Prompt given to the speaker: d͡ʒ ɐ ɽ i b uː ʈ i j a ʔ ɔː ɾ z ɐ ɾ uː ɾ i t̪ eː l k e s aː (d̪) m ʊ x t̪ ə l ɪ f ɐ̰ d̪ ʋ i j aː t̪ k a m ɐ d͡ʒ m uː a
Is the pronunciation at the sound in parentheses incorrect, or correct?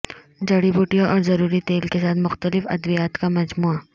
incorrect